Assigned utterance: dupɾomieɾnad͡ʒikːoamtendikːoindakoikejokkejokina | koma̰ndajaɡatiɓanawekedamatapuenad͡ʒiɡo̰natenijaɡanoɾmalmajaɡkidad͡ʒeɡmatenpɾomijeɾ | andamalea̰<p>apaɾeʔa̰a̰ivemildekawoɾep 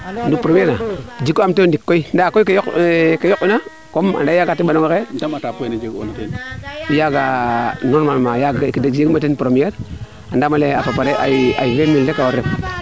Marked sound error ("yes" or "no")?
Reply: no